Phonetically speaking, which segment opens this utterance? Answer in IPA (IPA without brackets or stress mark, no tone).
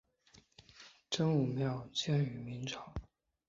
ʈ͡ʂ